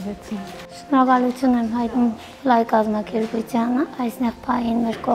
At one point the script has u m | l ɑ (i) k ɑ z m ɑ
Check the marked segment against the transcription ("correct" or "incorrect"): incorrect